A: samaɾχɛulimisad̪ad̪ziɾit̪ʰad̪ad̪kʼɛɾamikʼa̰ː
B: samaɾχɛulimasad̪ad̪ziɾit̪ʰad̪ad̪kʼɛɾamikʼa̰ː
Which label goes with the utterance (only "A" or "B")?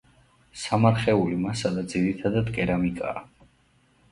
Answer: B